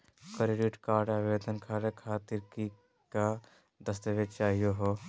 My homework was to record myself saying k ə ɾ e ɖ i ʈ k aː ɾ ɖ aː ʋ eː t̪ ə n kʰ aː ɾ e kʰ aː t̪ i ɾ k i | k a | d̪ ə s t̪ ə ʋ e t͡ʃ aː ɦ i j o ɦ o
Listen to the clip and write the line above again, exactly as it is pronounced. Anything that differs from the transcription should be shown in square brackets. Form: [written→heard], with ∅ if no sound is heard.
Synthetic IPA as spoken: k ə ɾ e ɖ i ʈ k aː ɾ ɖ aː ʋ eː [t̪→d̪] ə n kʰ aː ɾ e kʰ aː t̪ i ɾ k i | k a | d̪ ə s t̪ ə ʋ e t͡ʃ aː ɦ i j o ɦ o